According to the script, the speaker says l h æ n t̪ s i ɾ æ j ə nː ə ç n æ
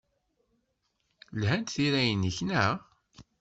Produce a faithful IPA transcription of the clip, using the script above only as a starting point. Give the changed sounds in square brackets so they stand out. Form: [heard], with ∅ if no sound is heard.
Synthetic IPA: l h æ n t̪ [θ] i ɾ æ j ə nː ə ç n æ